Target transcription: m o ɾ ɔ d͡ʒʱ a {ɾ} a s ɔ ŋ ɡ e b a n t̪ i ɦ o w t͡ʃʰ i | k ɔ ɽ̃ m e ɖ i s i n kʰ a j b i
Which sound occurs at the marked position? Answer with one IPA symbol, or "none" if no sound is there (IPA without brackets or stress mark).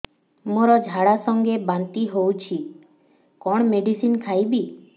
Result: ɽ